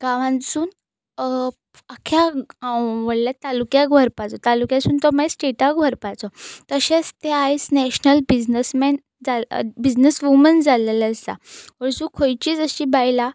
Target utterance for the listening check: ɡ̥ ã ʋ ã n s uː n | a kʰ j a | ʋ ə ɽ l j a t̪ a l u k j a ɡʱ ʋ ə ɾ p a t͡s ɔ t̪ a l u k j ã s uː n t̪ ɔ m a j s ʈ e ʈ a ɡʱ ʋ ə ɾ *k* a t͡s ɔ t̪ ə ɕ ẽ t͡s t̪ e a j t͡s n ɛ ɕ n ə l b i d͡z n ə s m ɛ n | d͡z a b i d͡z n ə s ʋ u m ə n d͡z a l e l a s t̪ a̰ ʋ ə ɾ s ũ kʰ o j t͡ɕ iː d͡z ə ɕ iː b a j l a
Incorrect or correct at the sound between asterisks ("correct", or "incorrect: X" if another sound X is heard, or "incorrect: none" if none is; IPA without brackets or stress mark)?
incorrect: p